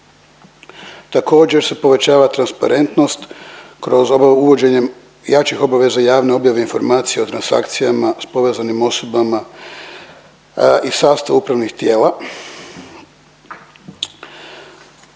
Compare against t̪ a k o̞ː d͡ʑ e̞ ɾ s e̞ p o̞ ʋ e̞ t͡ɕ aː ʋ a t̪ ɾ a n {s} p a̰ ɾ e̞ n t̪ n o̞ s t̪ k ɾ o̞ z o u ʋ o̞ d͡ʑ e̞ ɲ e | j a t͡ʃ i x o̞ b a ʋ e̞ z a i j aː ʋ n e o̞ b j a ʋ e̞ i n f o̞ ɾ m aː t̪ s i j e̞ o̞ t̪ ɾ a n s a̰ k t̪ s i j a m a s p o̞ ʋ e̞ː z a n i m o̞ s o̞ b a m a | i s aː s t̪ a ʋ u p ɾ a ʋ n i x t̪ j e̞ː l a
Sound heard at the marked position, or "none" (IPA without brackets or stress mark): s